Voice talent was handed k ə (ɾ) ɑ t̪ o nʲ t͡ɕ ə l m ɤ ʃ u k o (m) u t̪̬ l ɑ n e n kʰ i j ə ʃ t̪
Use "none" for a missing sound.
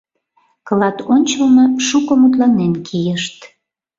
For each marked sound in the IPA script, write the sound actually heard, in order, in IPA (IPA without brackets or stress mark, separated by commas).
l, m